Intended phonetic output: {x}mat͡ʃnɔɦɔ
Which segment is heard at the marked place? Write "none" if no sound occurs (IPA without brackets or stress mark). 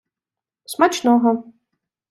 s